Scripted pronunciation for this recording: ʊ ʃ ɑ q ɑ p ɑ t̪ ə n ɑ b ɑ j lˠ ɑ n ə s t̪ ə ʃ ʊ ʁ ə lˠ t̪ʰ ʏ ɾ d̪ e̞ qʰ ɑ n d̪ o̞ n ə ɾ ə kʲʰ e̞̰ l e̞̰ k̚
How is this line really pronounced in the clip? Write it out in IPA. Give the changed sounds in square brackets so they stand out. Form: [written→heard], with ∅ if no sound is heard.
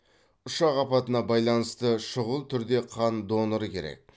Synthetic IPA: ʊ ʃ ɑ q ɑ p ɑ t̪ ə n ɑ b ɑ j lˠ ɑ n ə s t̪ ə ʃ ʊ ʁ ə lˠ t̪ʰ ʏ ɾ d̪ e̞ qʰ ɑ n d̪ o̞ n ə ɾ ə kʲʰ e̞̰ [l→ɾ] e̞̰ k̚